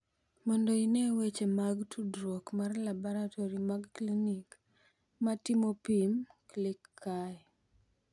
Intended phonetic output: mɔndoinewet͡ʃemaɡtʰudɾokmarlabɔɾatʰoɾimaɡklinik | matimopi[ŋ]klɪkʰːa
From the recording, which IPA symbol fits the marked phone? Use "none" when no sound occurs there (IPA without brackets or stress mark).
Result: m